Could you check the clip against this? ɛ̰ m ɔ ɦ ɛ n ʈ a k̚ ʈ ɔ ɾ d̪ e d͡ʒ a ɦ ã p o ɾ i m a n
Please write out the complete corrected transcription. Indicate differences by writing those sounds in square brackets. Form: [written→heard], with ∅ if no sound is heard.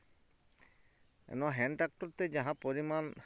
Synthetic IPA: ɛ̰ [m→n] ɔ ɦ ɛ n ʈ a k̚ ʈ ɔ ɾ [d̪→t̪] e d͡ʒ a ɦ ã p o ɾ i m a n